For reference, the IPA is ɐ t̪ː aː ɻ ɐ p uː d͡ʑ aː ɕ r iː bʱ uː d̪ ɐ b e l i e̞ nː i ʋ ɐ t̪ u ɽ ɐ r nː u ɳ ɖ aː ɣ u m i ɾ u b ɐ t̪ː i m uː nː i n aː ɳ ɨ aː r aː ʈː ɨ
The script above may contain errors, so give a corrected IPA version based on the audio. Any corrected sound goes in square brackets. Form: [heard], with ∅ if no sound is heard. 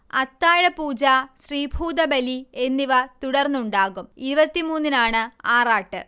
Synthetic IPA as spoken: ɐ t̪ː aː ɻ ɐ p uː d͡ʑ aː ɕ r iː bʱ uː d̪ ɐ b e l i e̞ nː i ʋ ɐ t̪ u ɽ ɐ r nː u ɳ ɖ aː ɣ u m i ɾ u b ɐ t̪ː i m uː nː i n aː ɳ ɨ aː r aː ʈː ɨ